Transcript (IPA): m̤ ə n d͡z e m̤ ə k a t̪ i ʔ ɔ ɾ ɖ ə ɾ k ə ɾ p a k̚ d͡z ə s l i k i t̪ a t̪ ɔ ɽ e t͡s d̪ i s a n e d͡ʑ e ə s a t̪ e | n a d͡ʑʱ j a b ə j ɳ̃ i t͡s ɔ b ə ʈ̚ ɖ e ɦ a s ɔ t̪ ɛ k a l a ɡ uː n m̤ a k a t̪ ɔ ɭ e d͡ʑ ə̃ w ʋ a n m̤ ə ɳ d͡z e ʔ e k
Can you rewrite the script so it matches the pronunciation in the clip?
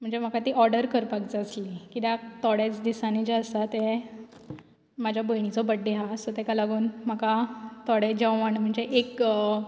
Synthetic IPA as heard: m̤ ə ɳ d͡z e m̤ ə k a t̪ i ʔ ɔ ɾ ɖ ə ɾ k ə ɾ p a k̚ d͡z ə s l i k i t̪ a t̪ ɔ ɽ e t͡s d̪ i s a n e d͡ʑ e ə s a t̪ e | m a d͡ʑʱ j a b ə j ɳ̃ i t͡s ɔ b ə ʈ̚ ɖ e ɦ a s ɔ t̪ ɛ k a l a ɡ uː n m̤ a k a t̪ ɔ ɽ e d͡ʑ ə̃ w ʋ a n m̤ ə ɳ d͡z e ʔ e k